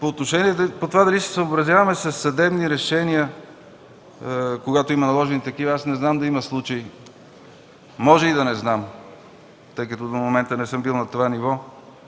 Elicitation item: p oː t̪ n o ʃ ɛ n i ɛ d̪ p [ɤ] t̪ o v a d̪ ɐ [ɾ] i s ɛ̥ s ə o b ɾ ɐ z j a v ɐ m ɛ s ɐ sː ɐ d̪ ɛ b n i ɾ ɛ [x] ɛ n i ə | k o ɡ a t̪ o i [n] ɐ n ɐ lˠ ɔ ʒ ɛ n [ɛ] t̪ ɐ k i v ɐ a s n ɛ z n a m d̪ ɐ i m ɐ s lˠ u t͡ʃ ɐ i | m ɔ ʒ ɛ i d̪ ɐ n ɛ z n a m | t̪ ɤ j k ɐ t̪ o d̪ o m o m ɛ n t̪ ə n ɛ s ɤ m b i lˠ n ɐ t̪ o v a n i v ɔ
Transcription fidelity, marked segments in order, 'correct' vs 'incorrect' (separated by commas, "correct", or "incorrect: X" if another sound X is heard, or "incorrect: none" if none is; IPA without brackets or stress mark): incorrect: o, incorrect: l, incorrect: ʃ, incorrect: m, incorrect: i